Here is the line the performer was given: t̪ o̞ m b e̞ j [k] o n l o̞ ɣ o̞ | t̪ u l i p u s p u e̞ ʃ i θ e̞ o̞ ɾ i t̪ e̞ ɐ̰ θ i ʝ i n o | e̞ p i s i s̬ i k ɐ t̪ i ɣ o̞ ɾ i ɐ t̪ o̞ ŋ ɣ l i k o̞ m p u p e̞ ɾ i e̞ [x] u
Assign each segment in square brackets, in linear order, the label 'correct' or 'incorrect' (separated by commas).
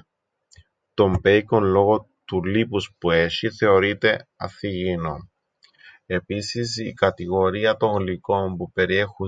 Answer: correct, correct